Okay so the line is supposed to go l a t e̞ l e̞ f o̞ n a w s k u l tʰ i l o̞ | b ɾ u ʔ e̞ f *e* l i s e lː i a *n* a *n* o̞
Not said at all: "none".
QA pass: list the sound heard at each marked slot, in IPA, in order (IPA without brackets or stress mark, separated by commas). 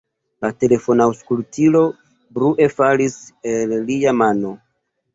a, m, n